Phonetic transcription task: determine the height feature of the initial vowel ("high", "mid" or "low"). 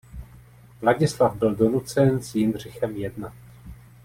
low